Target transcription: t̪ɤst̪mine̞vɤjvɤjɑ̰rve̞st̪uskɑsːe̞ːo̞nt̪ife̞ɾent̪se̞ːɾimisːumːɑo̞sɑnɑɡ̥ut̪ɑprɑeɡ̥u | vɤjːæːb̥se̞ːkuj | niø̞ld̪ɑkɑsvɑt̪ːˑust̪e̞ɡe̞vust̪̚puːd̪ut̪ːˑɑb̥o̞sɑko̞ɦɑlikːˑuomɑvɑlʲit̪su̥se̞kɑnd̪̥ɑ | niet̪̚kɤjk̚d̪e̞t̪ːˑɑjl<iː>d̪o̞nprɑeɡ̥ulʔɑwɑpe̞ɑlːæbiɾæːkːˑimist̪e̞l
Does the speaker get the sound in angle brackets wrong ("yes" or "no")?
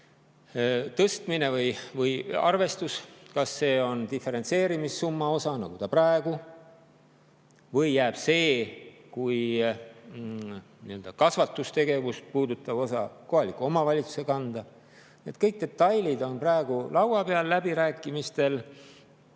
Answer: yes